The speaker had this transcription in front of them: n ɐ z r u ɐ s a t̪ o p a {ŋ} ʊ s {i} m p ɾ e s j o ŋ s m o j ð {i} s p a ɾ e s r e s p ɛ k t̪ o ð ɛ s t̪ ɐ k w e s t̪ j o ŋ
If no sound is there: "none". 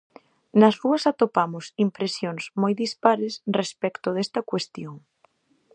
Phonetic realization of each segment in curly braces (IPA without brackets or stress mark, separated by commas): m, i, i